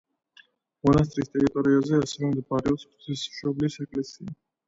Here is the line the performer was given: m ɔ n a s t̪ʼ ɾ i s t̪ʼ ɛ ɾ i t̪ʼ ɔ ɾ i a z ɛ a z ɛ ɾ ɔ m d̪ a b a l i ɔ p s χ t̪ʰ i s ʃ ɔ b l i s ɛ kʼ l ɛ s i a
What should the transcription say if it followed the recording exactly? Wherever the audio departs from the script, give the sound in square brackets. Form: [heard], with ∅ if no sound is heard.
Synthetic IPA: m ɔ n a s t̪ʼ ɾ i s t̪ʼ ɛ ɾ i t̪ʼ ɔ ɾ i a z ɛ a [s] ɛ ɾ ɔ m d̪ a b a [ɾ] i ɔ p s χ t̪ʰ i s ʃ ɔ b l i s ɛ kʼ l ɛ s i a